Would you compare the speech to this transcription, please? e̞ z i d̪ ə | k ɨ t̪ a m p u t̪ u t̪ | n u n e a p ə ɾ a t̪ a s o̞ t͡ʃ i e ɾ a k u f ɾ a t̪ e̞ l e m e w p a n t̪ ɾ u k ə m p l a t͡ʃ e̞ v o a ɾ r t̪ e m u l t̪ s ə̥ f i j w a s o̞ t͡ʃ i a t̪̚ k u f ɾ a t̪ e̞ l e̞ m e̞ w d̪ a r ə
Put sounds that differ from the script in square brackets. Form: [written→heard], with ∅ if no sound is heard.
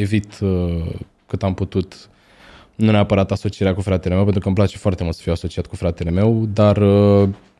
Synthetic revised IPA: e̞ [z→v] i [d̪→t̪] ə | k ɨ t̪ a m p u t̪ u t̪ | n u n e a p ə ɾ a t̪ a s o̞ t͡ʃ i e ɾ a k u f ɾ a t̪ e̞ l e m e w p [a→e] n t̪ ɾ u k ə m p l a t͡ʃ e̞ [v→f] o a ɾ r t̪ e m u l t̪ s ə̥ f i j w a s o̞ t͡ʃ i a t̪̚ k u f ɾ a t̪ e̞ l e̞ m e̞ w d̪ a r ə